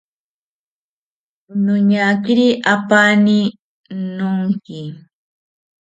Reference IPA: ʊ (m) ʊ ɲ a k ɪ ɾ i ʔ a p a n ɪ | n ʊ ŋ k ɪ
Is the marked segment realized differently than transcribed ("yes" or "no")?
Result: yes